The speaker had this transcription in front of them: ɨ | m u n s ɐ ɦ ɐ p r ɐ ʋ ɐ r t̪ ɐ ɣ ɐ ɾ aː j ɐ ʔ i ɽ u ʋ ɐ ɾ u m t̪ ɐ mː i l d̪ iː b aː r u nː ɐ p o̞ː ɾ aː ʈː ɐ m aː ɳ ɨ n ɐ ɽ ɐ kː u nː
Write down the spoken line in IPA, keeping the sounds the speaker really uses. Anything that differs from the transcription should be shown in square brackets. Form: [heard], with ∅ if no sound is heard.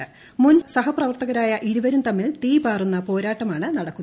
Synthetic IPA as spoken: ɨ | m u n s ɐ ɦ ɐ p r ɐ ʋ ɐ r t̪ ɐ ɣ ɐ ɾ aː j ɐ ʔ i [ɾ] u ʋ ɐ ɾ u m t̪ ɐ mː i l [t̪] iː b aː r u nː ɐ p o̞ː ɾ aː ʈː ɐ m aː ɳ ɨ n ɐ ɽ ɐ kː u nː